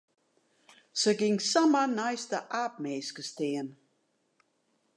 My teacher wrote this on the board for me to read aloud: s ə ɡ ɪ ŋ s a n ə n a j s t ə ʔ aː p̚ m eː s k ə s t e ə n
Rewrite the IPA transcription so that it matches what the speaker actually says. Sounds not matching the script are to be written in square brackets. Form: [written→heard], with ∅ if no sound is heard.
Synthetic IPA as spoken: s ə ɡ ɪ ŋ s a [n→m] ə n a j s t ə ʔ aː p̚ m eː s k ə s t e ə n